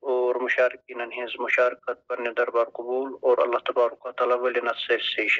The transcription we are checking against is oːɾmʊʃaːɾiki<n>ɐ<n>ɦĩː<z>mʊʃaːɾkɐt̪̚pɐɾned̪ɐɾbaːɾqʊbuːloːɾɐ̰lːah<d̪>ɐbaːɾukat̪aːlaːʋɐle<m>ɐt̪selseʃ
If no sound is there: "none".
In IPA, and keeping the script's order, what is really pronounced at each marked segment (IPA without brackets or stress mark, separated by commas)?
n, n, z, t̪, n